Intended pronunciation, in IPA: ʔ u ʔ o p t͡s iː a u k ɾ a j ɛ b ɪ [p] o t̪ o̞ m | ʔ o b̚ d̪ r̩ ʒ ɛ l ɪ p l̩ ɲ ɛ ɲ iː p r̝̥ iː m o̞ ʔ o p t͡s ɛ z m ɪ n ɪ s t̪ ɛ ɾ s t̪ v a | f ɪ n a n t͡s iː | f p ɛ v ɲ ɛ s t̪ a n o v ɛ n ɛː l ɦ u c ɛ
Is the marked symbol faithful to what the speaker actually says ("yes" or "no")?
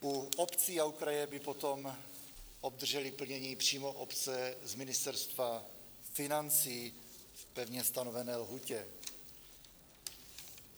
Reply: yes